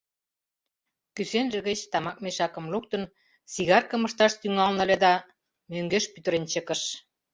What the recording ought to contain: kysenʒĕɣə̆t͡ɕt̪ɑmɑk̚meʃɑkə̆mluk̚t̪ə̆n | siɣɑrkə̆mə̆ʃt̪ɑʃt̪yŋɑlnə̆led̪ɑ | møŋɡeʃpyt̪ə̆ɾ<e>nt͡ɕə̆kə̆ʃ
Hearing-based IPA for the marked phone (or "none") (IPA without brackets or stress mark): e